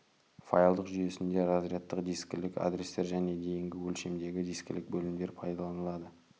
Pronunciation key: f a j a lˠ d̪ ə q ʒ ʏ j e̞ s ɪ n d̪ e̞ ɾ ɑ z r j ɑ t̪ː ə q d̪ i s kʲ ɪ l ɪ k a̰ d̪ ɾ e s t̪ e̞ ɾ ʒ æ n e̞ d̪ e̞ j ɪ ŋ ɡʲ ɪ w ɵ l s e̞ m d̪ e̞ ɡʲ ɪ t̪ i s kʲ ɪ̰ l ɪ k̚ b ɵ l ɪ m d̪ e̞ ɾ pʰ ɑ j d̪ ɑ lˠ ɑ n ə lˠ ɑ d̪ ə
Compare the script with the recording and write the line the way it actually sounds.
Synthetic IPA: f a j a lˠ d̪ ə q ʒ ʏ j e̞ s ɪ n d̪ e̞ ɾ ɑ z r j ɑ t̪ː ə q d̪ i s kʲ ɪ l ɪ k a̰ d̪ ɾ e s t̪ e̞ ɾ ʒ æ n e̞ d̪ e̞ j ɪ ŋ ɡʲ ɪ w ɵ l ʃ e̞ m d̪ e̞ ɡʲ ɪ d̪ i s kʲ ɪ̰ l ɪ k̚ b ɵ l ɪ m d̪ e̞ ɾ pʰ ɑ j d̪ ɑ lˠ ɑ n ə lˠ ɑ d̪ ə